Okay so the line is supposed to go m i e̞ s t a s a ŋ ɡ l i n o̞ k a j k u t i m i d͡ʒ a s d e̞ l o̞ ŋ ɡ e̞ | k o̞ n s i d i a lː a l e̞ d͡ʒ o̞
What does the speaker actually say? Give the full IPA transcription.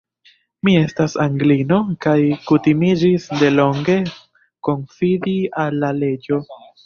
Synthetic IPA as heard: m i e̞ s t a s a ŋ ɡ l i n o̞ k a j k u t i m i d͡ʒ i s d e̞ l o̞ ŋ ɡ e̞ | k o̞ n f i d i a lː a l e̞ d͡ʒ o̞